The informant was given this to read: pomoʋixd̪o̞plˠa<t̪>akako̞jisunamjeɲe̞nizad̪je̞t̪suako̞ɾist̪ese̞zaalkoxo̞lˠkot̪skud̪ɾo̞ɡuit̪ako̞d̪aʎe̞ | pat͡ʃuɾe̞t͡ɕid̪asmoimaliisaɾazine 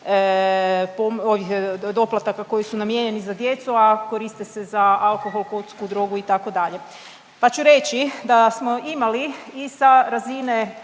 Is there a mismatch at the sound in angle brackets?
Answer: no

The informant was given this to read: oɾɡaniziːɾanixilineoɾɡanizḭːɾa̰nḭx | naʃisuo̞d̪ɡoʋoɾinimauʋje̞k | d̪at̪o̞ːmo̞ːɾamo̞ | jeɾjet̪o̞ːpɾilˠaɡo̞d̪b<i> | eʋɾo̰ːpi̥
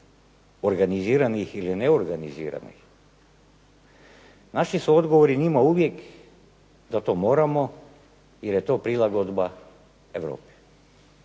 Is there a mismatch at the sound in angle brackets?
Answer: yes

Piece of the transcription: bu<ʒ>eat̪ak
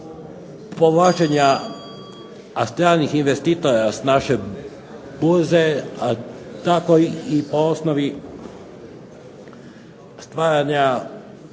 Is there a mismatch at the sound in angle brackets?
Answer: yes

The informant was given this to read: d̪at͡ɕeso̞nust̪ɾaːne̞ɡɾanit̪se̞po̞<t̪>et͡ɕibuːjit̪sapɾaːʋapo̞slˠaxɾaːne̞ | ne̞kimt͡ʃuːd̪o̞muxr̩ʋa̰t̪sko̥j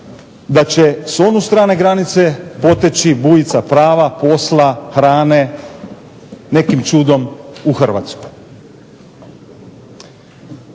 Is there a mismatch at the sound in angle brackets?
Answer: no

